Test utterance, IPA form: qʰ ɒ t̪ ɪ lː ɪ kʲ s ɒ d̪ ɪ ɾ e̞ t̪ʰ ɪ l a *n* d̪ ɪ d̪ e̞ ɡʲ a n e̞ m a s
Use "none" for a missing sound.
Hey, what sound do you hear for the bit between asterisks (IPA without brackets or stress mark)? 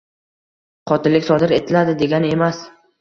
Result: none